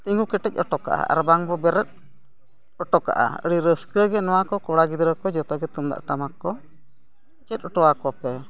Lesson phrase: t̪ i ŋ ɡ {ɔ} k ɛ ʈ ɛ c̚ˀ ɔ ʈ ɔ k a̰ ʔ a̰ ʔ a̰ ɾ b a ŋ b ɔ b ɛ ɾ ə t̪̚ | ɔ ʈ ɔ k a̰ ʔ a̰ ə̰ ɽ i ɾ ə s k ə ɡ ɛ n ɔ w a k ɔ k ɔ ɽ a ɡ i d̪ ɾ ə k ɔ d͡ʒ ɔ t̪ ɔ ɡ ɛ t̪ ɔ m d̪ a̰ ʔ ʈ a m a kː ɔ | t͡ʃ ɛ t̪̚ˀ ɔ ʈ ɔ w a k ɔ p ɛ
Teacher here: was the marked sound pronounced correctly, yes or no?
no